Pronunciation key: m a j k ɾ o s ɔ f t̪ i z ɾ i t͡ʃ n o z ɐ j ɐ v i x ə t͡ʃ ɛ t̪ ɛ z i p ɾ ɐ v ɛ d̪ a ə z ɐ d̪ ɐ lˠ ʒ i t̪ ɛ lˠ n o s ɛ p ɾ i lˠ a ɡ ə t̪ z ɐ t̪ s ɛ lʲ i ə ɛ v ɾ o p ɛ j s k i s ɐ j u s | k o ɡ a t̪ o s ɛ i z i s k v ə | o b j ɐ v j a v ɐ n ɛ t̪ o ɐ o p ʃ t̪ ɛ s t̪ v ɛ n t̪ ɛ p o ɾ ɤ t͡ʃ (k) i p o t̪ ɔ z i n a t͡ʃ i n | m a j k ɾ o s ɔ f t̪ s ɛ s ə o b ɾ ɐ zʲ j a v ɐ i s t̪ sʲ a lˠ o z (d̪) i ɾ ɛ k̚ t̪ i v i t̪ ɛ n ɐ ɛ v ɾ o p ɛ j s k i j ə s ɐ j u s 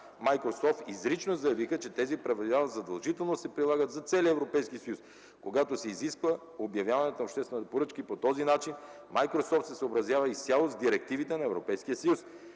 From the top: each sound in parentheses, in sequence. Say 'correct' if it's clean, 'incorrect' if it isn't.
correct, correct

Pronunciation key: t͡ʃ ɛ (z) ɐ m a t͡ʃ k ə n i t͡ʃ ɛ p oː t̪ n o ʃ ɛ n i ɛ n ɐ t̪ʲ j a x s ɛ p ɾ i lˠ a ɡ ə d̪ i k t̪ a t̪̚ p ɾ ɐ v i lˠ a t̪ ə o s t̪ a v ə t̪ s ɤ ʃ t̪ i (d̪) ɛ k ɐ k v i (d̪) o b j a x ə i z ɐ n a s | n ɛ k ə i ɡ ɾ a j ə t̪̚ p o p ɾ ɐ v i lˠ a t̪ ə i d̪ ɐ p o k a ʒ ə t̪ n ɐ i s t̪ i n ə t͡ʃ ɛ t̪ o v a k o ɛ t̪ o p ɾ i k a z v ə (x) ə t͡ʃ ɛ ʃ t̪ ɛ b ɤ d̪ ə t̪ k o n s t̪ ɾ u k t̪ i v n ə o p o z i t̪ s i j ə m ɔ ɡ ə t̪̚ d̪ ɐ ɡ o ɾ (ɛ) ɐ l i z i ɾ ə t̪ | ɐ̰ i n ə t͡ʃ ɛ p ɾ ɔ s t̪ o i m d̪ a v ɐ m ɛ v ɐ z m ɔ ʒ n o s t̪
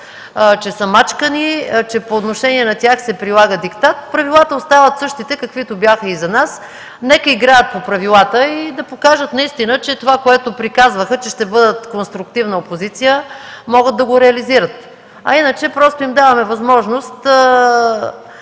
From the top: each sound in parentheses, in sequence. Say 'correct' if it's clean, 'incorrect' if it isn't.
incorrect: s, incorrect: t̪, incorrect: t̪, correct, correct

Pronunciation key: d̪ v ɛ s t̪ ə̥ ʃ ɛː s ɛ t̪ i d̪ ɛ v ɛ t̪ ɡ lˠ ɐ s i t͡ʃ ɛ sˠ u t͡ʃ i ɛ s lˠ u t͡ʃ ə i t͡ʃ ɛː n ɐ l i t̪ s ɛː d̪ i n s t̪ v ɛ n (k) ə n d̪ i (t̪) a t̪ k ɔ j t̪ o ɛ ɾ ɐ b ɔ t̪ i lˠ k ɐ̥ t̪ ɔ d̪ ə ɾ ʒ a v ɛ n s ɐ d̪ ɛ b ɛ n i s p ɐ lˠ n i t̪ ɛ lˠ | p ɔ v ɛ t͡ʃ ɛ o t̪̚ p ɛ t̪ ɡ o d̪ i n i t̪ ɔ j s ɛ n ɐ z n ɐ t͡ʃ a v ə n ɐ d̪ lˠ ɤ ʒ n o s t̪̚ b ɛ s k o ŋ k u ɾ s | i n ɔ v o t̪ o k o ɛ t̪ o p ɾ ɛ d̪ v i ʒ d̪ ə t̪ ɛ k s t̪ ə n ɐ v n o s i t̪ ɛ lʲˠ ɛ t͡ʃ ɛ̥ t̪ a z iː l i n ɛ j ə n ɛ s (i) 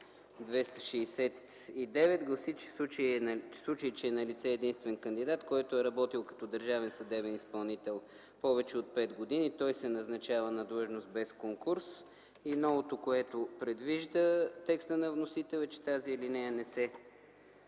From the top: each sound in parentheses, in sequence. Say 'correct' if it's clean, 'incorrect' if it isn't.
correct, incorrect: d̪, incorrect: ɛ

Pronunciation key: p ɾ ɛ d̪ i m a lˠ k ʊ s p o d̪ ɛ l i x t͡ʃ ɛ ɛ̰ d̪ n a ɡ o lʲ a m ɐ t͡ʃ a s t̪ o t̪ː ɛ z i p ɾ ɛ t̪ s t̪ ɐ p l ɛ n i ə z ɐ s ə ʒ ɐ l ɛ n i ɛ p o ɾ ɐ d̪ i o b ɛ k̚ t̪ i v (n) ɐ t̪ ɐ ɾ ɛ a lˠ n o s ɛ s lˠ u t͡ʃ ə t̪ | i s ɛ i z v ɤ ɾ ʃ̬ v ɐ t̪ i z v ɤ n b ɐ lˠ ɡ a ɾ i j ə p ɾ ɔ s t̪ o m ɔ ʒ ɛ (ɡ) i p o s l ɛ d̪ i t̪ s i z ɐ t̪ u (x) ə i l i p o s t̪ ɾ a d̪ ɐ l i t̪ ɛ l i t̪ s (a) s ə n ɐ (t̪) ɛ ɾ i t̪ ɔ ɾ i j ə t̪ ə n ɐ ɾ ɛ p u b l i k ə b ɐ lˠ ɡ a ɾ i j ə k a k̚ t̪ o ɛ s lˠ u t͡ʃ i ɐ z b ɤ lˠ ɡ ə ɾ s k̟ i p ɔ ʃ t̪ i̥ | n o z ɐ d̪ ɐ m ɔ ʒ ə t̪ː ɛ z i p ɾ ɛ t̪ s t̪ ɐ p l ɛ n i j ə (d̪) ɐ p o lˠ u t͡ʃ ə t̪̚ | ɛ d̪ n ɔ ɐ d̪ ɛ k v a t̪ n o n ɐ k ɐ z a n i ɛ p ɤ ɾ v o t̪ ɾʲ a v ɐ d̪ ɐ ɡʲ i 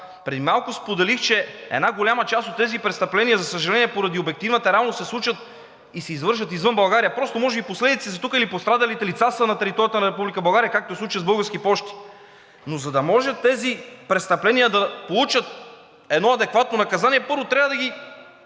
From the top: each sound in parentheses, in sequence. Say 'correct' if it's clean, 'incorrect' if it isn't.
correct, incorrect: b, incorrect: k, correct, correct, correct

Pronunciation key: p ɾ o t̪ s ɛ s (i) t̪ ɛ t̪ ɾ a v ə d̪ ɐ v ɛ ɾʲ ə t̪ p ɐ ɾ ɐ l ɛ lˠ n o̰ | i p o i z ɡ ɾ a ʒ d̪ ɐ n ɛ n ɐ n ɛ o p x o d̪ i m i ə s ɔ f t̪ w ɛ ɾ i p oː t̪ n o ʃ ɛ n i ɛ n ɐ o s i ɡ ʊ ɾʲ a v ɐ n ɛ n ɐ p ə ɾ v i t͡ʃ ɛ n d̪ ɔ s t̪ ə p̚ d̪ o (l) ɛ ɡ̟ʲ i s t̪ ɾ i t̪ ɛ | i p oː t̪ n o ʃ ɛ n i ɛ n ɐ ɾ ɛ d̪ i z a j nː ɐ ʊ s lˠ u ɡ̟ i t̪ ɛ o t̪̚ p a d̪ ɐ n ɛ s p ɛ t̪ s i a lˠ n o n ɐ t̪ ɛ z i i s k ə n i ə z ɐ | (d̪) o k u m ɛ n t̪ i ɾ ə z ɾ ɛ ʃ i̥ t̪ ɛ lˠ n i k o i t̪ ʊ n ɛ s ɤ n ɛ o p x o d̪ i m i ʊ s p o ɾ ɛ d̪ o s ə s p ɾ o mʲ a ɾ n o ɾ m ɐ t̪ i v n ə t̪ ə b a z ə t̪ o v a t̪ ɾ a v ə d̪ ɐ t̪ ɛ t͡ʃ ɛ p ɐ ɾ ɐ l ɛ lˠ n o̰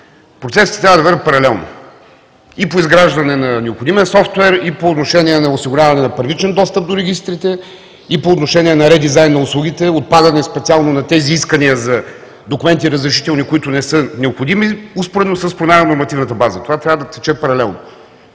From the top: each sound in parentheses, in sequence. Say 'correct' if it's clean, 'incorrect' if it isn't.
correct, incorrect: ɾ, correct

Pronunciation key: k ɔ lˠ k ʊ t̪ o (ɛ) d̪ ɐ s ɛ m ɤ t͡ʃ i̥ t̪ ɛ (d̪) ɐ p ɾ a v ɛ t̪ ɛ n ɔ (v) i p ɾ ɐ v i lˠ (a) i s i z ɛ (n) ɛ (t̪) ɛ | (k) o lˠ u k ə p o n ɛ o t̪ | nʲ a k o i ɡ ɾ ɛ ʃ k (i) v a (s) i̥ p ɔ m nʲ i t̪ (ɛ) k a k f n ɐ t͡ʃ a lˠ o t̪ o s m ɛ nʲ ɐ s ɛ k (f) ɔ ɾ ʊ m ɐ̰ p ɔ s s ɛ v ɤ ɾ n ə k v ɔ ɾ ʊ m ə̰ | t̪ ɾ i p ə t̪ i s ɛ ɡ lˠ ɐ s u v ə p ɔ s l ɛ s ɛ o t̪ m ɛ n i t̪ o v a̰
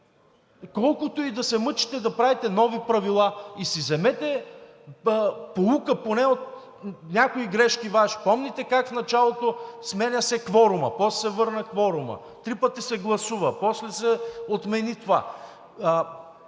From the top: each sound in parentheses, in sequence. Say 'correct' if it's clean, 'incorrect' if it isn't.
incorrect: i, correct, correct, correct, incorrect: m, correct, incorrect: p, correct, incorrect: ʃ, correct, incorrect: v

